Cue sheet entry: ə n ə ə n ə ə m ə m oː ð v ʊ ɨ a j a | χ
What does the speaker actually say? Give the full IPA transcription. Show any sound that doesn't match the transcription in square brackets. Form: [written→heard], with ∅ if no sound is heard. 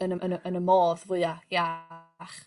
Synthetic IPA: ə n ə ə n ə ə [m→n] ə m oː ð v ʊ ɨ a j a | χ